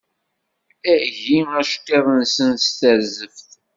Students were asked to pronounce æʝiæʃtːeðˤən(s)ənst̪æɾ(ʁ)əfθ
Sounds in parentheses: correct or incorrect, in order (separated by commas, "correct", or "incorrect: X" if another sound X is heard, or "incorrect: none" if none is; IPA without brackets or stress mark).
correct, incorrect: z